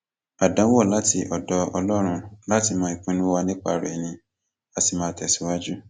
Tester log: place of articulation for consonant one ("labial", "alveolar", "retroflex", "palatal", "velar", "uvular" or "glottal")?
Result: alveolar